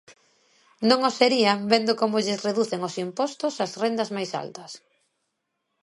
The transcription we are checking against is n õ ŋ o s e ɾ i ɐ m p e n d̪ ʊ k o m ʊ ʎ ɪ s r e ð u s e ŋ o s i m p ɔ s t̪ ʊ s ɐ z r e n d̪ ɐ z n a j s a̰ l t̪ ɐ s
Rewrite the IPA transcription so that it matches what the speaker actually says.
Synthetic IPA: n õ ŋ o s e ɾ i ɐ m b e n d̪ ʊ k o m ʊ ʎ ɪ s r e ð u θ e ŋ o s i m p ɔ s t̪ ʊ s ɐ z r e n d̪ ɐ z m a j s a̰ l t̪ ɐ s